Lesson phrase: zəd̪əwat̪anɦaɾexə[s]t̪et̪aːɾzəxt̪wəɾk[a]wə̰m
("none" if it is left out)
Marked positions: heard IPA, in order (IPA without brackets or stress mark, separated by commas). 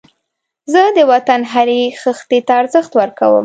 x, a